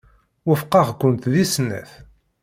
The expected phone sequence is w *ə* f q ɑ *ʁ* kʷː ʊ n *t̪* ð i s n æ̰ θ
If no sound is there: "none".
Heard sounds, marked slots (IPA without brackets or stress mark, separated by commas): ə, ʁ, t̪